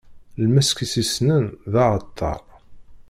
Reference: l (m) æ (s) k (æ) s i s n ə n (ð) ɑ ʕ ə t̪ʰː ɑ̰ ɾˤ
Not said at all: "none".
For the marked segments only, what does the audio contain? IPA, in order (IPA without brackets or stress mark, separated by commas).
m, s, i, ð